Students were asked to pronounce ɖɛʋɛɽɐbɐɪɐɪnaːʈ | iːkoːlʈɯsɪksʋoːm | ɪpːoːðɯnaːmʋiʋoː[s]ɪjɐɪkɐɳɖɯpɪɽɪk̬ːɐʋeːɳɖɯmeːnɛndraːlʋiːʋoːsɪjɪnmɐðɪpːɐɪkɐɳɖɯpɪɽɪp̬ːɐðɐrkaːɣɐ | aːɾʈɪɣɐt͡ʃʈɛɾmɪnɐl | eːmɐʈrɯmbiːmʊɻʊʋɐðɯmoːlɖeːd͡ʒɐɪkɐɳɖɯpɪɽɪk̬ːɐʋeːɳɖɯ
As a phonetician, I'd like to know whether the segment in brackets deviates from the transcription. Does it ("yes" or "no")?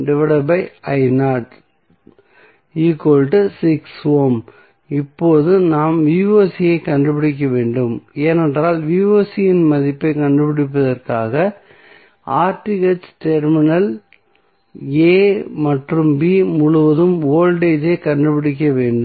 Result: no